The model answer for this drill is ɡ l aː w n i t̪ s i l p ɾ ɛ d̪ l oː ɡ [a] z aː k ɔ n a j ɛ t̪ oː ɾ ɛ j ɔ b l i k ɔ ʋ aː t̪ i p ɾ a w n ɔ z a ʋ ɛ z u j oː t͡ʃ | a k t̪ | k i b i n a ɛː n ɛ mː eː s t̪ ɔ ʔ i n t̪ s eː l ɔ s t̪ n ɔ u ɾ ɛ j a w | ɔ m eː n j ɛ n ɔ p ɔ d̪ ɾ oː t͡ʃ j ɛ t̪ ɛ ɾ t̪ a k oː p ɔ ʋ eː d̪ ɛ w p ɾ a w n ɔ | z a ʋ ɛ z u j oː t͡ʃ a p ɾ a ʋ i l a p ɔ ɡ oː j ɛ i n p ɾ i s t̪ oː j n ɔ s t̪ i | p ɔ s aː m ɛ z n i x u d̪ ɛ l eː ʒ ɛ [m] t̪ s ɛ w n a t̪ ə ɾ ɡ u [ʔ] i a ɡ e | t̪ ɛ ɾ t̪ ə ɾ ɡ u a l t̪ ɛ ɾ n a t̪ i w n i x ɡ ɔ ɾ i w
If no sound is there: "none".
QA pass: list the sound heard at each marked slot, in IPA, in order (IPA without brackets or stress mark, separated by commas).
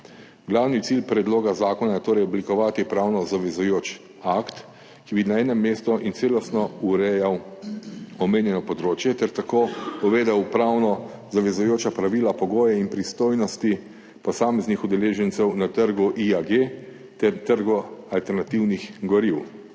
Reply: a, n, ʔ